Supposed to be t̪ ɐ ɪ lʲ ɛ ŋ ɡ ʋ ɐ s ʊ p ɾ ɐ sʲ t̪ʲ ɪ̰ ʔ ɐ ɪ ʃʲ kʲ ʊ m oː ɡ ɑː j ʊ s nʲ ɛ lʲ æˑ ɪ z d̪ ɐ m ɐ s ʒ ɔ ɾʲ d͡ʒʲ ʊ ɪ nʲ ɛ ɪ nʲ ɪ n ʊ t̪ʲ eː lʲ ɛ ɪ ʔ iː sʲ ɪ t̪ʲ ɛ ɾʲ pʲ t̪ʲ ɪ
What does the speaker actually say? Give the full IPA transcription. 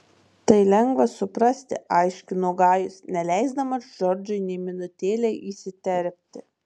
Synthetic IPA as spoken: t̪ ɐ ɪ lʲ ɛ ŋ ɡ ʋ ɐ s ʊ p ɾ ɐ sʲ t̪ʲ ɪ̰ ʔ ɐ ɪ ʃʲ kʲ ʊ n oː ɡ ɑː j ʊ s nʲ ɛ lʲ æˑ ɪ z d̪ ɐ m ɐ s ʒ ɔ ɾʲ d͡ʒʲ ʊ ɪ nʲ ɛ ɪ mʲ ɪ n ʊ t̪ʲ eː lʲ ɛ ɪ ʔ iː sʲ ɪ t̪ʲ ɛ ɾʲ pʲ t̪ʲ ɪ